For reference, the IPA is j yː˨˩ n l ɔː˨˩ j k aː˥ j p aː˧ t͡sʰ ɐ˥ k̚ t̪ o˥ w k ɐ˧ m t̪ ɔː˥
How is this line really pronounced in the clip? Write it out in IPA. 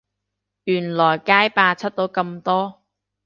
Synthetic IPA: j yː˨˩ n l ɔː˨˩ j k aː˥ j p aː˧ t͡sʰ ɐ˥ t̚ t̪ o˨˥ w k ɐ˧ m t̪ ɔː˥

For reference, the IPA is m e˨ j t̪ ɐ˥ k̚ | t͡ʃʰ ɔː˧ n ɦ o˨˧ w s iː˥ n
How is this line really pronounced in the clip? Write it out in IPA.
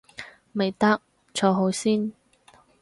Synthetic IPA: m e˨ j t̪ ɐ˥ k̚ | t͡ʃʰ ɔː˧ ɦ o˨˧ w s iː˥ n

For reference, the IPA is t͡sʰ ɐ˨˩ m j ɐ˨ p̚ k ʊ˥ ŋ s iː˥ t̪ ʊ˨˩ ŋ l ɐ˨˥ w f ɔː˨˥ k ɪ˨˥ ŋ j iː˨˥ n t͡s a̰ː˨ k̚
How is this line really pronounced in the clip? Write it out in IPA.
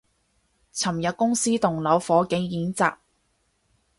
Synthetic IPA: t͡sʰ ɐ˨˩ m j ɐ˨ t̚ k ʊ˥ ŋ s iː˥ t̪ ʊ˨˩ ŋ l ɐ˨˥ w f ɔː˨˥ k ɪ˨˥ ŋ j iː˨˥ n t͡s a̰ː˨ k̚

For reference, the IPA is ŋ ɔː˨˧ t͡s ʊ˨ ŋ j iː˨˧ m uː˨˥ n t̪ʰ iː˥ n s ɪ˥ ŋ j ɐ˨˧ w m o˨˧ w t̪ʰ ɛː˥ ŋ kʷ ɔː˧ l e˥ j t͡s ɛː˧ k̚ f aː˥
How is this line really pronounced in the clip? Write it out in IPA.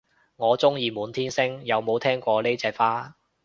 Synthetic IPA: ŋ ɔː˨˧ t͡s ʊ˥ ŋ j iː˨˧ m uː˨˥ n t̪ʰ iː˥ n s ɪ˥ ŋ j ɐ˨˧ w m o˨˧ w t̪ʰ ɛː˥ ŋ kʷ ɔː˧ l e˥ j t͡s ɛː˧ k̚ f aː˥

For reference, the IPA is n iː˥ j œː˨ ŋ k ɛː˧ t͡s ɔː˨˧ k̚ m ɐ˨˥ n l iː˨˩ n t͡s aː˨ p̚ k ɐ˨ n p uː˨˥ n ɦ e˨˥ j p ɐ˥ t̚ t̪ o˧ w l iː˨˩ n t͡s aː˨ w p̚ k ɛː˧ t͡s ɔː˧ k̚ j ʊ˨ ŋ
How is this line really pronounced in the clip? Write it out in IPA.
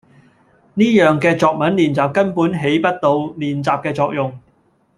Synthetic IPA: n iː˥ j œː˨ ŋ k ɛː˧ t͡s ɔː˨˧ k̚ m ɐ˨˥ n l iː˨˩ n t͡s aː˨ p̚ k ɐ˥ n p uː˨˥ n ɦ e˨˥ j p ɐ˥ t̚ t̪ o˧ w l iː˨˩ n t͡s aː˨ p̚ k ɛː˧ t͡s ɔː˧ k̚ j ʊ˨ ŋ

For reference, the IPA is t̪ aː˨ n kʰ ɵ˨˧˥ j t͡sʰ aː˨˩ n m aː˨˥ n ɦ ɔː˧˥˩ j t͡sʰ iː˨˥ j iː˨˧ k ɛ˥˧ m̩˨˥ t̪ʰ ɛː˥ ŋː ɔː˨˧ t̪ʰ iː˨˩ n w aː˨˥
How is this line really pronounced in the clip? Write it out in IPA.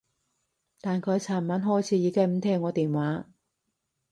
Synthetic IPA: t̪ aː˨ n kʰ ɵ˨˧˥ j t͡sʰ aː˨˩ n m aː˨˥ n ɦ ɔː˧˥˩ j t͡sʰ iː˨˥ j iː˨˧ k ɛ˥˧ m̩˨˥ t̪ʰ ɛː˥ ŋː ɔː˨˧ t̪ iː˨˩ n w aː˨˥

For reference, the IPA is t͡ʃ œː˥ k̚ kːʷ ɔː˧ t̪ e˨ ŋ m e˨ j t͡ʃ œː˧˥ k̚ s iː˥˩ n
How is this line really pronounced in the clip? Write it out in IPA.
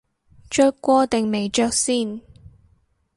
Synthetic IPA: t͡ʃ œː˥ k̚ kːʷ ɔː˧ t̪ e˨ ŋ m e˨ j t͡ʃ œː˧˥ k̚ s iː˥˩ n

